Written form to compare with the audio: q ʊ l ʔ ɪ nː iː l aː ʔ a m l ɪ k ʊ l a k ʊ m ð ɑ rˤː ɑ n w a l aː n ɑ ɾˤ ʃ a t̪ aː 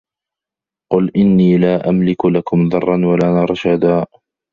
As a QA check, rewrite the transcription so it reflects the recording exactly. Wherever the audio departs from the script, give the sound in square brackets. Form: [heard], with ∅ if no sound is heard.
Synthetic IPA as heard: q ʊ l ʔ ɪ nː iː l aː ʔ a m l ɪ k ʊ l a k ʊ m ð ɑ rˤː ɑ n w a l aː n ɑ ɾˤ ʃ a [d̪] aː